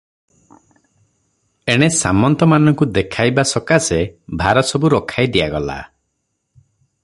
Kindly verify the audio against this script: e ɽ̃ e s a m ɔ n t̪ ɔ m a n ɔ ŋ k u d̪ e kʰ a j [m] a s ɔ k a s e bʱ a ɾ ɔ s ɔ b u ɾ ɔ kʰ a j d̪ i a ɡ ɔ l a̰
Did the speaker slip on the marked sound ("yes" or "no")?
yes